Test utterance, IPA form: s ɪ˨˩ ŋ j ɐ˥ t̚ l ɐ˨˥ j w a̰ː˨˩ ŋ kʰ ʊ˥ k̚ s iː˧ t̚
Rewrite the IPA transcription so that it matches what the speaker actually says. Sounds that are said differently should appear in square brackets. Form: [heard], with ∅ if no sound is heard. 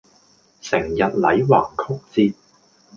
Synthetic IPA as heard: s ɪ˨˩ ŋ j [ɐ˨] t̚ l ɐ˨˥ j w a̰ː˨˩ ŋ kʰ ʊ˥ k̚ [t͡s] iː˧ t̚